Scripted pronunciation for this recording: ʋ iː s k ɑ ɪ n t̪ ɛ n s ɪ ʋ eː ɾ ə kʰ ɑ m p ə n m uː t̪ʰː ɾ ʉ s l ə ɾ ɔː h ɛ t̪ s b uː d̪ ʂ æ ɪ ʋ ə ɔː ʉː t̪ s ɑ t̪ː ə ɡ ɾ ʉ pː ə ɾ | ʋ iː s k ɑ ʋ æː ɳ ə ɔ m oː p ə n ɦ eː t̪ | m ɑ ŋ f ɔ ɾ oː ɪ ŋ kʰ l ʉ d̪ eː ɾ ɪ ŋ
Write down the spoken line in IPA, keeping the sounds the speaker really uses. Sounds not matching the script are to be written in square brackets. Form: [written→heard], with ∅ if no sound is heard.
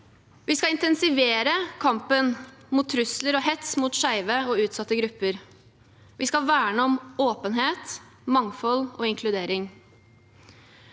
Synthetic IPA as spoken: ʋ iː s k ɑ ɪ n t̪ ɛ n s ɪ ʋ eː ɾ ə kʰ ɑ m p ə n m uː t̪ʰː ɾ ʉ s l ə ɾ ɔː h ɛ t̪ s [b→m] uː [d̪→t̪] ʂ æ ɪ ʋ ə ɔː ʉː t̪ s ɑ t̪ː ə ɡ ɾ ʉ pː ə ɾ | ʋ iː s k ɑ ʋ æː ɳ ə ɔ m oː p ə n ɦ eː t̪ | m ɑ ŋ f ɔ [ɾ→l] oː ɪ ŋ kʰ l ʉ d̪ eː ɾ ɪ ŋ